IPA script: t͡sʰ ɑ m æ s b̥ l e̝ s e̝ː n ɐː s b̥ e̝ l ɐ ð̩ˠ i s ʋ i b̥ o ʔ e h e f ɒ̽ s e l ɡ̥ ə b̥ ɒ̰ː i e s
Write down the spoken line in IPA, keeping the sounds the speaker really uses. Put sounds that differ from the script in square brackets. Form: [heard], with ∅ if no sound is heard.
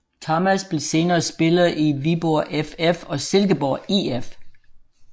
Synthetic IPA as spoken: t͡sʰ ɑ m æ s b̥ l e̝ s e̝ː n ɐː s b̥ e̝ l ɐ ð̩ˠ i [∅] ʋ i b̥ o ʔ e [f] e f ɒ̽ s e l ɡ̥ ə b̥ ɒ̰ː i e [f]